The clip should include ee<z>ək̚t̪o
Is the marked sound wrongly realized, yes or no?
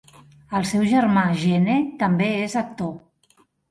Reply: no